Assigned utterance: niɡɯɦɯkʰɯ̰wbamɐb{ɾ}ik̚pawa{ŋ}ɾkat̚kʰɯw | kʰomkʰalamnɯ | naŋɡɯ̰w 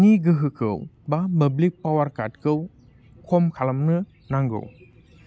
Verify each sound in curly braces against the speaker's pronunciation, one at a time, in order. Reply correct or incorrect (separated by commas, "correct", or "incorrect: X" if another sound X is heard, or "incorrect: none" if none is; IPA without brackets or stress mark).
incorrect: l, incorrect: none